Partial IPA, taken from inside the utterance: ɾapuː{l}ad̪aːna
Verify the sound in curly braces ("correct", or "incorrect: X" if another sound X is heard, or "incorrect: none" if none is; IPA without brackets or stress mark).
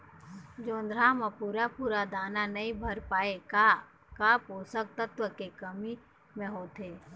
incorrect: ɾ